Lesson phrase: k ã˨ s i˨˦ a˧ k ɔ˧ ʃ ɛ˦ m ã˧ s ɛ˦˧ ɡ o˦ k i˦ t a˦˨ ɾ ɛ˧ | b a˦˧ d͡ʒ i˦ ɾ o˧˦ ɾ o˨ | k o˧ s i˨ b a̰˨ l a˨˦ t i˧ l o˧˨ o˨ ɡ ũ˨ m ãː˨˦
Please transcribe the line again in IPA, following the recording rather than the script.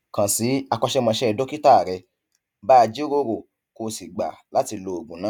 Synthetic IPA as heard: k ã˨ s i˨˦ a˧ k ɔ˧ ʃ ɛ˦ m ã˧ ʃ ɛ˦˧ d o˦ k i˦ t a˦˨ ɾ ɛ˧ | b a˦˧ d͡ʒ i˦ ɾ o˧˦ ɾ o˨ | k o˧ s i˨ ɡ͡b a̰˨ l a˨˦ t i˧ l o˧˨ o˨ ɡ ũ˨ n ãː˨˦